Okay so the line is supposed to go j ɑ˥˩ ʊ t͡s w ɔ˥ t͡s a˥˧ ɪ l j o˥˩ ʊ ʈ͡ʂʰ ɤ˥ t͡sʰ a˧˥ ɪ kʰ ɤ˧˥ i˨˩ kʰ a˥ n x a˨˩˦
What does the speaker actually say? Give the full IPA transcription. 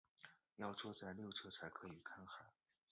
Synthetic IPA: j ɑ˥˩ ʊ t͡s w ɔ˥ t͡s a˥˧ ɪ l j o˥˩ ʊ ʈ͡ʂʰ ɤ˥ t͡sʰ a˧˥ ɪ kʰ ɤ˧˥ i˨˩ kʰ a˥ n x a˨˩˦